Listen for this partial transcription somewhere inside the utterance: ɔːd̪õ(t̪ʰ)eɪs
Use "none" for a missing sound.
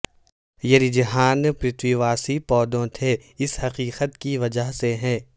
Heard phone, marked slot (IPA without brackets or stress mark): t̪ʰ